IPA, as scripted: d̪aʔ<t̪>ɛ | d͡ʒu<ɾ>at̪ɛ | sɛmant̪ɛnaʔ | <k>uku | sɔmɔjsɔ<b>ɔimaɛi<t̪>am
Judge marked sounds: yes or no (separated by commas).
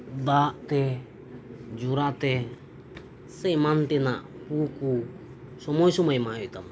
yes, yes, no, no, yes